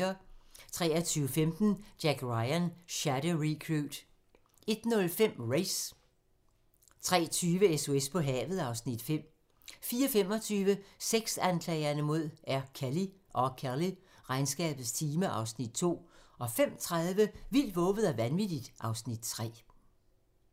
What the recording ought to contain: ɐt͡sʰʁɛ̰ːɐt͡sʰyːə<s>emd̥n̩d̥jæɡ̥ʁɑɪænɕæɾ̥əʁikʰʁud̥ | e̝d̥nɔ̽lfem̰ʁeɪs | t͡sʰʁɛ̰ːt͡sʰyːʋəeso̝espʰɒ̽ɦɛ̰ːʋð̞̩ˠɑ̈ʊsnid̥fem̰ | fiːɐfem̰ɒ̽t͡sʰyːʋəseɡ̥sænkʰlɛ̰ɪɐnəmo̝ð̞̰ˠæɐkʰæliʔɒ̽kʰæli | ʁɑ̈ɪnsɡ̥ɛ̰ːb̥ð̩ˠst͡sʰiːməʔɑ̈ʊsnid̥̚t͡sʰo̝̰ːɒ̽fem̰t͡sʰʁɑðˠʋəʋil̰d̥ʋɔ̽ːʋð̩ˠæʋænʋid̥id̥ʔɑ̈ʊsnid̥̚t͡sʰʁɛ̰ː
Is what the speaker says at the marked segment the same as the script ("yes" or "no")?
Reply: no